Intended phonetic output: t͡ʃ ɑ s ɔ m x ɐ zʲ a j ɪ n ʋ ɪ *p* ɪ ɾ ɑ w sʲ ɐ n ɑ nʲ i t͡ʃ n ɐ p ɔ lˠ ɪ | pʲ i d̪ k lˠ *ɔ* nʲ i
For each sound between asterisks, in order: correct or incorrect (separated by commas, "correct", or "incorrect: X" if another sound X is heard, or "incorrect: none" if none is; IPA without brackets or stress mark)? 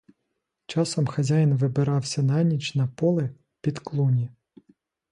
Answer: incorrect: b, incorrect: u